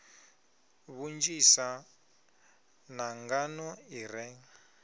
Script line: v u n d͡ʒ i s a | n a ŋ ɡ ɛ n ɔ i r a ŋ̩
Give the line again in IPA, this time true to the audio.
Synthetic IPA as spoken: β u n d͡ʒ i s a | n a ŋ ɡ a n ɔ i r ɛ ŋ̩